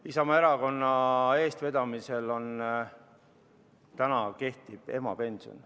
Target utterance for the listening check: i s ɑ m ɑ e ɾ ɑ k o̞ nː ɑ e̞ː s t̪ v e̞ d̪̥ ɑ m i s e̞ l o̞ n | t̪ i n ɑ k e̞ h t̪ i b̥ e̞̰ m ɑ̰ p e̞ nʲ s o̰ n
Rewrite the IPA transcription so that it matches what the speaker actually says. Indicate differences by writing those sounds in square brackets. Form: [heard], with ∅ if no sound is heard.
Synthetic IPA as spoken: i s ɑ m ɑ e ɾ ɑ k o̞ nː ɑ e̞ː s t̪ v e̞ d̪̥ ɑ m i s e̞ l o̞ n | t̪ [æ] n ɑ k e̞ h t̪ i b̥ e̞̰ m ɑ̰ p e̞ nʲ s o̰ n